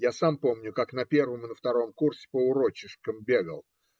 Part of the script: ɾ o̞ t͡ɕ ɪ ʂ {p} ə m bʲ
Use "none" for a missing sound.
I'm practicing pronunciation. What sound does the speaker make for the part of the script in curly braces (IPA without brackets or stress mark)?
k